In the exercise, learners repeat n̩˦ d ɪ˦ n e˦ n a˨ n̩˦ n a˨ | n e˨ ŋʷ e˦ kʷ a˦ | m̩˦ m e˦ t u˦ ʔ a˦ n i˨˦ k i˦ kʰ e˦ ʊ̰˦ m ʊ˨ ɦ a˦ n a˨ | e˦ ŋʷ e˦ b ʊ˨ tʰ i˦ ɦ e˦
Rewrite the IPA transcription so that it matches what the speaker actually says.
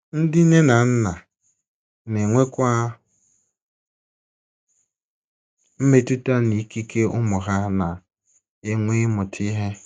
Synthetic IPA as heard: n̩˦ d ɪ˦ n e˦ n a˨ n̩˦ n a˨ | n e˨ ŋʷ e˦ kʷ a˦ | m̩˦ m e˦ t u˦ t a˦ n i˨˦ k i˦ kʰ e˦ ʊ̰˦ m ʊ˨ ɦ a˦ n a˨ | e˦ ŋʷ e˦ m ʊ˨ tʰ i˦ ɦ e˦